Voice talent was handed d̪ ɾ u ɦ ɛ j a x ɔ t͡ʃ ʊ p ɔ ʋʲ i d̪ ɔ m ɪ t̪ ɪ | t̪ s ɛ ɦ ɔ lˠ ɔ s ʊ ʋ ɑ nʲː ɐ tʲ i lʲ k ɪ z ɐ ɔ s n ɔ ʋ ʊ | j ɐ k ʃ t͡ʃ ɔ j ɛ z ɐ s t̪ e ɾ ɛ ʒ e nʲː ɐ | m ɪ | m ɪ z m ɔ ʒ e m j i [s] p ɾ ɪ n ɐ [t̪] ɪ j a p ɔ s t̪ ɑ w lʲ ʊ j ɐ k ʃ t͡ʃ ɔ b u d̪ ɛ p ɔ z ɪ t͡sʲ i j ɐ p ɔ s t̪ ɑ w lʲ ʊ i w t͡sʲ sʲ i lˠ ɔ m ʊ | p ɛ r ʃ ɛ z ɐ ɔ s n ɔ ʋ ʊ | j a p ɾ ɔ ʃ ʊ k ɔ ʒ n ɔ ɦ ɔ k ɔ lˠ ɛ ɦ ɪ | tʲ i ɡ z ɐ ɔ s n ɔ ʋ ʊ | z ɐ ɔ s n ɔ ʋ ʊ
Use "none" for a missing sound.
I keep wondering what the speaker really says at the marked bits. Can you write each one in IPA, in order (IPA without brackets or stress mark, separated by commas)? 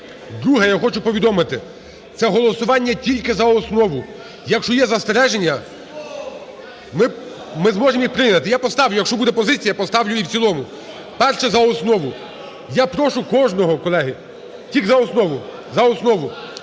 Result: x, t̪